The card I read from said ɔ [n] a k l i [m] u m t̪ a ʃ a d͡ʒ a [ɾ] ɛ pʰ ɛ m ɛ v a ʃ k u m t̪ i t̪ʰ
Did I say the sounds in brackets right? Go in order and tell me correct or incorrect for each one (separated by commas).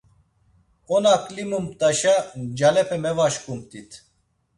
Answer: correct, correct, incorrect